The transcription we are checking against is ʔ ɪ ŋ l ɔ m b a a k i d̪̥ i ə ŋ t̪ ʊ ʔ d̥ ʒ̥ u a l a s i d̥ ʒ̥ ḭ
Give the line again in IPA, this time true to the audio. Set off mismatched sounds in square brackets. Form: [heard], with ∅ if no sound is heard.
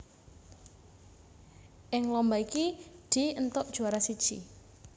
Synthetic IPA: ʔ ɪ ŋ l ɔ m b a [i] k i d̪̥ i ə [n] t̪ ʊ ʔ d̥ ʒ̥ u a [ɾ] a s i d̥ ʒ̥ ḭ

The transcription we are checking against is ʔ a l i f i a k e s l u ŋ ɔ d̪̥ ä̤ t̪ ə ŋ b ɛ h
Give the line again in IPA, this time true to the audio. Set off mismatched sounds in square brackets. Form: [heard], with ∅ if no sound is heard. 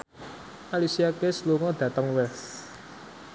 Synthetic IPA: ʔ a l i [s] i a k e s l u ŋ ɔ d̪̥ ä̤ t̪ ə ŋ [w] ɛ [s]

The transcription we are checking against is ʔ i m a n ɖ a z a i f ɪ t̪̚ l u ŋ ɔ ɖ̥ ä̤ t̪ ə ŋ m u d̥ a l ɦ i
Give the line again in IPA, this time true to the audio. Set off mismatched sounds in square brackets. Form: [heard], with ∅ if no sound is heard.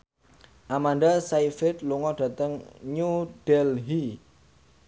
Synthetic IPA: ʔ [a] m a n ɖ a [s] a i f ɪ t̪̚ l u ŋ ɔ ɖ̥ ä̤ t̪ ə ŋ [ɲ] u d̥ [ɛ] l ɦ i

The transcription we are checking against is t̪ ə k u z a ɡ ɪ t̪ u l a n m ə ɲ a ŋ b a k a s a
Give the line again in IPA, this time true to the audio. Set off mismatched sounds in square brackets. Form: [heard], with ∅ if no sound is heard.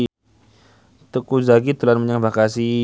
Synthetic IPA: t̪ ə k u z a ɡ [i] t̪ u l a n m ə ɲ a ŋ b a k a s [i]

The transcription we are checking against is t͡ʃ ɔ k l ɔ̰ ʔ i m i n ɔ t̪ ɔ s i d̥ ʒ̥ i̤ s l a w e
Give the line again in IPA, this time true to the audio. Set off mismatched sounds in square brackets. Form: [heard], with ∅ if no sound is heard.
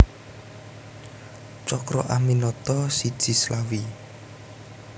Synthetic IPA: t͡ʃ ɔ k [ɾ] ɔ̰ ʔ [a] m i n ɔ t̪ ɔ s i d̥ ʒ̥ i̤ s l a w [i]

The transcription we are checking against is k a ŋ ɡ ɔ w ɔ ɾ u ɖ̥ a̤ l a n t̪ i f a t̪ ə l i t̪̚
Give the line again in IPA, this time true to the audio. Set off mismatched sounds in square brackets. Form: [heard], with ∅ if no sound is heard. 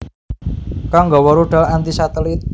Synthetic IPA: k a ŋ ɡ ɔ w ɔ ɾ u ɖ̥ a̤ l a n t̪ i [s] a t̪ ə l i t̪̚

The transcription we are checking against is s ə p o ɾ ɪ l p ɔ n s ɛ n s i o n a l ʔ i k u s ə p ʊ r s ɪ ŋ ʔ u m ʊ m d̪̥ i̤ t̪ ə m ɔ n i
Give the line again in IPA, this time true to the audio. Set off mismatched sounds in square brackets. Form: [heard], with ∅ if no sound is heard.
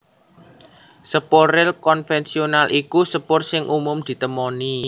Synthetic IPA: s ə p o ɾ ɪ l [k] ɔ n [f] ɛ n s i o n a l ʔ i k u s ə p ʊ r s ɪ ŋ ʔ u m ʊ m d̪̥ i̤ t̪ ə m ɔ n i

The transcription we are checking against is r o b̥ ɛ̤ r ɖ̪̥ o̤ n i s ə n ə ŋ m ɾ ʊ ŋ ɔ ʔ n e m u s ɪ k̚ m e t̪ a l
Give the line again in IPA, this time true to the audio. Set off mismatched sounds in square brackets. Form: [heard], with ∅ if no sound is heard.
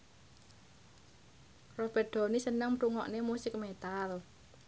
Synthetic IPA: r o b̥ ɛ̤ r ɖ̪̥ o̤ n i s ə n ə ŋ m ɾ [u] ŋ ɔ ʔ n e m u s ɪ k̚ m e t̪ a l

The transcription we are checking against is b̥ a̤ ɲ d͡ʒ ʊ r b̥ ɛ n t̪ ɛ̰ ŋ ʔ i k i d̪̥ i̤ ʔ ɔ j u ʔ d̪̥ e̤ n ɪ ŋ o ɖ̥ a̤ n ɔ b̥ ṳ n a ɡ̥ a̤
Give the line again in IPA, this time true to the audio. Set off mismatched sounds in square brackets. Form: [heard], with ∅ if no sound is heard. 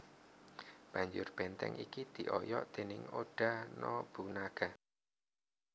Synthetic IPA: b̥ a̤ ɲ d͡ʒ ʊ r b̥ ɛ n t̪ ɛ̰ ŋ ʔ i k i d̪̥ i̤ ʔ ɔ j [ɔ] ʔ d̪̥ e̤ n ɪ ŋ o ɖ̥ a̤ n ɔ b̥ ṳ n a ɡ̥ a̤

